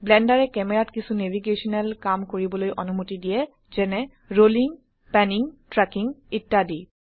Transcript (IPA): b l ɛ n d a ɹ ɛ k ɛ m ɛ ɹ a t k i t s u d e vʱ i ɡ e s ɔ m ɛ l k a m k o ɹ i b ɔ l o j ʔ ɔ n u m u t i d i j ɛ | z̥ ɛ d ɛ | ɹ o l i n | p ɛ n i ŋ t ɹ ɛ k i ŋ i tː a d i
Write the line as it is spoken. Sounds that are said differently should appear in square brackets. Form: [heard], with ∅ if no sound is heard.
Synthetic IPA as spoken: b l ɛ n d a ɹ ɛ k ɛ m ɛ ɹ a t k i [∅] s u [n] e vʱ i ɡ e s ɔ [n] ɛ l k a m k o ɹ i b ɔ l o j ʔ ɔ n u m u t i d i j ɛ | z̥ ɛ [n] ɛ | ɹ o l i [ŋ] | p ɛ n i ŋ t ɹ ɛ k i ŋ i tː a d i